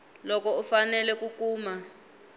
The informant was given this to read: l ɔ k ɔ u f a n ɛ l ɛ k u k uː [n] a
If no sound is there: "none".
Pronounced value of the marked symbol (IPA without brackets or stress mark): m